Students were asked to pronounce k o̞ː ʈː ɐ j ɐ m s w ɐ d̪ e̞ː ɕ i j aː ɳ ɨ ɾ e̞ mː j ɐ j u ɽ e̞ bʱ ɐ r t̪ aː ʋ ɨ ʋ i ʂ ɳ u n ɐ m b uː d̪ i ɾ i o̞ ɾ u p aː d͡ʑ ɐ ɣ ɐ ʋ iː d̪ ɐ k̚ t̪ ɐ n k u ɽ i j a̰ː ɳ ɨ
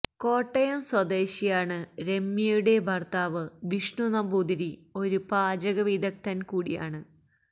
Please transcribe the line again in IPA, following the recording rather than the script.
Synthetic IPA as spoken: k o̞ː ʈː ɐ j ɐ m s w ɐ d̪ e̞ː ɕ i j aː ɳ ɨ ɾ e̞ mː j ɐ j u ɽ e̞ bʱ ɐ r t̪ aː ʋ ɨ ʋ i ʂ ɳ u n ɐ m b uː d̪ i ɾ i o̞ ɾ u p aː d͡ʑ ɐ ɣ ɐ ʋ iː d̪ ɐ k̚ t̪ ɐ n k uː ɽ i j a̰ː ɳ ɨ

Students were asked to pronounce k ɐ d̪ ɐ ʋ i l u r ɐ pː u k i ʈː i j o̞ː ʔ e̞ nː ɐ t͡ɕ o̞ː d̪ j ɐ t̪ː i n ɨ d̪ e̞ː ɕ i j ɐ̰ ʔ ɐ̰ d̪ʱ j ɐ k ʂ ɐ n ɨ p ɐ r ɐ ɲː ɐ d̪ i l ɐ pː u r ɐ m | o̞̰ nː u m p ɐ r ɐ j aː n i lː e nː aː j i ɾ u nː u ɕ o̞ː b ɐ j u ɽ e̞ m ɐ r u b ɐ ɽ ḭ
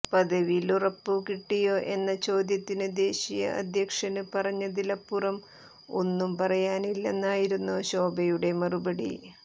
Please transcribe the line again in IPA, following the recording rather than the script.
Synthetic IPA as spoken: p ɐ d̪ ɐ ʋ i l u r ɐ pː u k i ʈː i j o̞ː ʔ e̞ nː ɐ t͡ɕ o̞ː d̪ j ɐ t̪ː i n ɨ d̪ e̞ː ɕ i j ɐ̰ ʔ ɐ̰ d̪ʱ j ɐ k ʂ ɐ n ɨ p ɐ r ɐ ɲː ɐ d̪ i l ɐ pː u r ɐ m | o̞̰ nː u m p ɐ r ɐ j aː n i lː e nː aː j i ɾ u nː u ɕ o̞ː b ɐ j u ɽ e̞ m ɐ r u b ɐ ɽ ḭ

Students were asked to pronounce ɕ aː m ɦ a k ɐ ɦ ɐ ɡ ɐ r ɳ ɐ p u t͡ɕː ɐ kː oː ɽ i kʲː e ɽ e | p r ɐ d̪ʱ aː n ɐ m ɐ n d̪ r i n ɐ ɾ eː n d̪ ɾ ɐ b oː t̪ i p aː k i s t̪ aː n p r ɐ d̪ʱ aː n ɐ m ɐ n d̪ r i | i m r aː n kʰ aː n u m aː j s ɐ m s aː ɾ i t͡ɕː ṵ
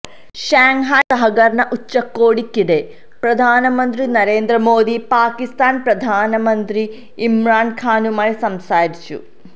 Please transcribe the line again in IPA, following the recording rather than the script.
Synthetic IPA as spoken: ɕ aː ŋ ɦ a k ɐ ɦ ɐ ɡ ɐ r ɳ ɐ ʔ u t͡ɕː ɐ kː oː ɽ i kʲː i ɽ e | p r ɐ d̪ʱ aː n ɐ m ɐ n d̪ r i n ɐ ɾ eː n d̪ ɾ ɐ m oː d̪ i p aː k i s t̪ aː n p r ɐ d̪ʱ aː n ɐ m ɐ n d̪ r i | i m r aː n kʰ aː n u m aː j s ɐ m s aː ɾ i t͡ɕː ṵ

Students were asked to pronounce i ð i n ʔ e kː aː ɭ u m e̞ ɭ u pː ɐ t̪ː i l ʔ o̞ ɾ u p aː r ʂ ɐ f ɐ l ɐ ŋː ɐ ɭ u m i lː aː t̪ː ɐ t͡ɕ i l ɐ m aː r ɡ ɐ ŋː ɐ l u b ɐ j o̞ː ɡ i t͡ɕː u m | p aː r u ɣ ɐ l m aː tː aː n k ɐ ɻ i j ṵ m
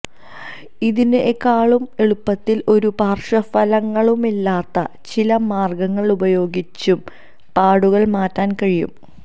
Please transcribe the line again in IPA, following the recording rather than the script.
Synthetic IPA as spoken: i ð i n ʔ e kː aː ɭ u m e̞ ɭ u pː ɐ t̪ː i l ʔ o̞ ɾ u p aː r ʂ ɐ f ɐ l ɐ ŋː ɐ ɭ u m i lː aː t̪ː ɐ t͡ɕ i l ɐ m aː r ɡ ɐ ŋː ɐ ɭ u b ɐ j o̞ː ɡ i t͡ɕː u m | p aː ɽ u ɣ ɐ ɭ m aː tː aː n k ɐ ɻ i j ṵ m

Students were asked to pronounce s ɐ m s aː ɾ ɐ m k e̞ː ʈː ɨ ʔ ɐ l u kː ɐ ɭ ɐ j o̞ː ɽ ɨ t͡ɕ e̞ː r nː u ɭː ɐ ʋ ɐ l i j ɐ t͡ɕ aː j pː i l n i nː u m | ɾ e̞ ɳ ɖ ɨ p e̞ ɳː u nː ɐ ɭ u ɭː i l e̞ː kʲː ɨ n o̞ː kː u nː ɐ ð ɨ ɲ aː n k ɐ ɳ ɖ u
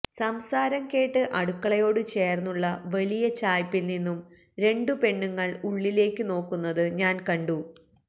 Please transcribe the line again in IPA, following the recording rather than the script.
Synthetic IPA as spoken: s ɐ m s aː ɾ ɐ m k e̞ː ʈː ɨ ʔ ɐ ɽ u kː ɐ ɭ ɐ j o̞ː ɽ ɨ t͡ɕ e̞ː r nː u ɭː ɐ ʋ ɐ l i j ɐ t͡ɕ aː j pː i l n i nː u m | ɾ e̞ ɳ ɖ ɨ p e̞ ɳː u ŋː ɐ ɭ u ɭː i l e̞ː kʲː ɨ n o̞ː kː u nː ɐ ð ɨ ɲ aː n k ɐ ɳ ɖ u

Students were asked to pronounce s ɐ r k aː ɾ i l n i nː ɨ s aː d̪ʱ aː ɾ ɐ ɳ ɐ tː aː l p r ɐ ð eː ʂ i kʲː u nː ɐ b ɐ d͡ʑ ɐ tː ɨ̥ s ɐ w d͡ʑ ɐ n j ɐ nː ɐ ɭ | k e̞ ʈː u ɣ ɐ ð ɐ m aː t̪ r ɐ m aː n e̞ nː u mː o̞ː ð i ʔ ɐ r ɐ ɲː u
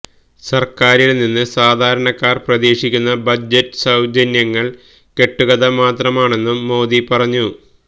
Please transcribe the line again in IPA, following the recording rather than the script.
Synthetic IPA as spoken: s ɐ r k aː ɾ i l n i nː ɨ s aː d̪ʱ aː ɾ ɐ ɳ ɐ kː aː r p r ɐ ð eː ʂ i kʲː u nː ɐ b ɐ d͡ʑ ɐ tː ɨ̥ s ɐ w d͡ʑ ɐ n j ɐ ŋː ɐ ɭ | k e̞ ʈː u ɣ ɐ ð ɐ m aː t̪ r ɐ m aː ɳ e̞ nː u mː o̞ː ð i p ɐ r ɐ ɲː u

